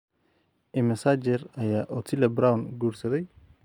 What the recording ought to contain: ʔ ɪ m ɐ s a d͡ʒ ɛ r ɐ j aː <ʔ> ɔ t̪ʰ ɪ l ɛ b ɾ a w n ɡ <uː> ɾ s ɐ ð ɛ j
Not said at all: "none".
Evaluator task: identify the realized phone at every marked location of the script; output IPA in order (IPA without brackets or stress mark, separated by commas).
ʔ, uː